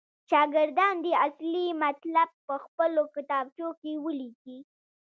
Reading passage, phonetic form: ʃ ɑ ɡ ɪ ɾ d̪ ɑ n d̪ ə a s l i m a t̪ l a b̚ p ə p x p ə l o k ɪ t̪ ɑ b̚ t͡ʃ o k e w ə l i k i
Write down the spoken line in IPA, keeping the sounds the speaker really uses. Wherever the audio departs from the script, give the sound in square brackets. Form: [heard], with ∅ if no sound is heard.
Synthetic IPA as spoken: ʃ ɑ ɡ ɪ ɾ d̪ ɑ n d̪ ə a s l i m a t̪ l a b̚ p ə [∅] x p ə l o k ɪ t̪ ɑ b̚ t͡ʃ o k e w ə l i k i